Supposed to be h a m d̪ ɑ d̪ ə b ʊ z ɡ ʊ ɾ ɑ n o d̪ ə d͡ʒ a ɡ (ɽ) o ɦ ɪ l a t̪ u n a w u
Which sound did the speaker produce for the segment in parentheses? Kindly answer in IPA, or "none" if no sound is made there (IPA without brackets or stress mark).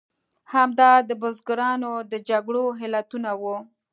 ɽ